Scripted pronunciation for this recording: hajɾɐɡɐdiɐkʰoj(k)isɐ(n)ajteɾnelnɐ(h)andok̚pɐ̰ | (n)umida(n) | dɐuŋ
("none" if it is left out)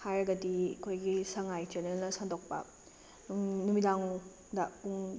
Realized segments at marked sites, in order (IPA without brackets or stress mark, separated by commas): ɡ, ŋ, s, n, ŋ